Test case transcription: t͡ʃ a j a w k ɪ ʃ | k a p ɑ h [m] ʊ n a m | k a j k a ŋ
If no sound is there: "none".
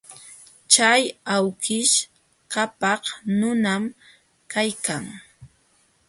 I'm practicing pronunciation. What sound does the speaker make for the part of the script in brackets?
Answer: n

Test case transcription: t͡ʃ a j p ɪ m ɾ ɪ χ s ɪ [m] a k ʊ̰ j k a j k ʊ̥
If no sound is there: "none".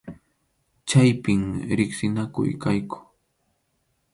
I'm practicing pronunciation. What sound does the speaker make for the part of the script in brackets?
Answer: n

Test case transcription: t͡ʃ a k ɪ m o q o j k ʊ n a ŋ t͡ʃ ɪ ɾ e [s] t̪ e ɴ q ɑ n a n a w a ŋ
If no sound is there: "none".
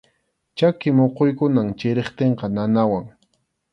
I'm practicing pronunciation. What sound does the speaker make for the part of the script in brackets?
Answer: χ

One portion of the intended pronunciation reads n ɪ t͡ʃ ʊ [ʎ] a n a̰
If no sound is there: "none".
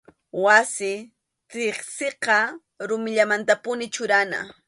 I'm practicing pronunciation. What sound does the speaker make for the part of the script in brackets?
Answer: ɾ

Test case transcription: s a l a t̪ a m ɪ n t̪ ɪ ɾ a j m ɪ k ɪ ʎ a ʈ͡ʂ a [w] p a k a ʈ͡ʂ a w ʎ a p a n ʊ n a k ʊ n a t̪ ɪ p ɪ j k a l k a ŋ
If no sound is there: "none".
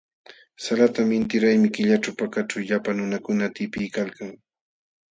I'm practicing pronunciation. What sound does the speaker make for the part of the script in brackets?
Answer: w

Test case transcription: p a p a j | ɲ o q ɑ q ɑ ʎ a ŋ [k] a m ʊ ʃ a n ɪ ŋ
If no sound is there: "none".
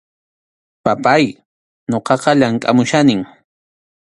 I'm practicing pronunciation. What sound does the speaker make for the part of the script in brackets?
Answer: kʼ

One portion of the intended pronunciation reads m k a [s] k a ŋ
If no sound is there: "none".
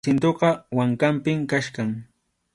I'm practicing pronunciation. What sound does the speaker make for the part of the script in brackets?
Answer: ʃ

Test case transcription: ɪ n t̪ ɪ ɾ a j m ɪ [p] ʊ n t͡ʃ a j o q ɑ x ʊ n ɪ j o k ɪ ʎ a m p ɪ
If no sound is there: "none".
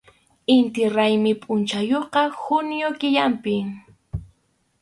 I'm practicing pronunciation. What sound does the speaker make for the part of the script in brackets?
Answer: pʼ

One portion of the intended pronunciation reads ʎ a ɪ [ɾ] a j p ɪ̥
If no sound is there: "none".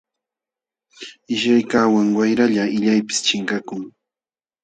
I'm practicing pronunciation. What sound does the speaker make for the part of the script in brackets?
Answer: ʎ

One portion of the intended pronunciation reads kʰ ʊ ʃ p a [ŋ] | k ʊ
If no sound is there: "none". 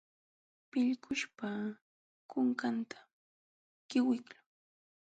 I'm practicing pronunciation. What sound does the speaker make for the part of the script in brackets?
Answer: none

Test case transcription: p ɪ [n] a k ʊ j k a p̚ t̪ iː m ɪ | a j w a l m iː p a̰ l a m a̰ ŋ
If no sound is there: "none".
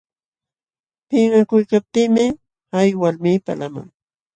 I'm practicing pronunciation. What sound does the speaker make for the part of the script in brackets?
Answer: ŋ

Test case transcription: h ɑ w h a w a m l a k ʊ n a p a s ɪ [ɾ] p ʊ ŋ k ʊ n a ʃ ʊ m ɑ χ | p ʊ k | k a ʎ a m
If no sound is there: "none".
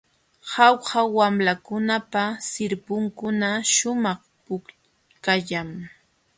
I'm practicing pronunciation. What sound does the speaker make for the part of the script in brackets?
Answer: ɾ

